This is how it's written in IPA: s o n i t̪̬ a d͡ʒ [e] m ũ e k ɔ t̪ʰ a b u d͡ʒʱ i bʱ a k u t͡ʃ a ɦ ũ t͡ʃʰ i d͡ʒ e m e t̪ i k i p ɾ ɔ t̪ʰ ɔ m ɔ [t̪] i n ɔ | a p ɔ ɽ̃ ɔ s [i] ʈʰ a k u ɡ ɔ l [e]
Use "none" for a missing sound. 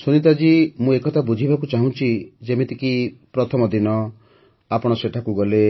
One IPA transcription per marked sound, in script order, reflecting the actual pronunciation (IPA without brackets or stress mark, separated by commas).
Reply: i, d̪, e, e